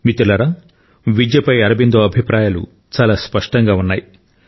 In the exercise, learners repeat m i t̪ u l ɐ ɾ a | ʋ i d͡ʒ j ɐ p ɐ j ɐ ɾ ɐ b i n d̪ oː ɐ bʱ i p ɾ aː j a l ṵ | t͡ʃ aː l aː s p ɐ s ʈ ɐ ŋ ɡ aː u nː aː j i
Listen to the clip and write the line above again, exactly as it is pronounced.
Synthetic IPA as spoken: m i t̪ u l ɐ ɾ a | ʋ i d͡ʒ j ɐ p ɐ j ɐ ɾ ɐ b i n d̪ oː ɐ bʱ i p ɾ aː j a l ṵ | t͡ʃ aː l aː s p ɐ ʂ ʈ ɐ ŋ ɡ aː u nː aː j i